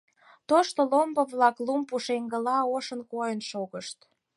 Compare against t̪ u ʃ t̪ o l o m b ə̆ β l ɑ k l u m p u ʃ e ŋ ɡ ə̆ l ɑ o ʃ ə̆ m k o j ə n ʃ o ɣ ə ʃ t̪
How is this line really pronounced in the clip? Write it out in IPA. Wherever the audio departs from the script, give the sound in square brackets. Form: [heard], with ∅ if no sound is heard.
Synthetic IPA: t̪ [o] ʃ t̪ o l o m b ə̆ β l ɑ k l u m p u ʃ e ŋ ɡ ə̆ l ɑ o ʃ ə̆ [n] k o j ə n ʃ o ɣ ə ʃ t̪